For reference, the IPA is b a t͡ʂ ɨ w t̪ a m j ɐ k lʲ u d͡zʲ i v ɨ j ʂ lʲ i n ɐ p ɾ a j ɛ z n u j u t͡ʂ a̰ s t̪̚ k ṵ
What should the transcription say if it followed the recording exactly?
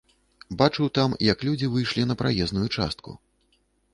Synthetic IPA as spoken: b a t͡ʂ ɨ w t̪ a m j ɐ k lʲ u d͡zʲ i v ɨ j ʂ lʲ i n ɐ p ɾ a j ɛ z n u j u t͡ʂ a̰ s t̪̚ k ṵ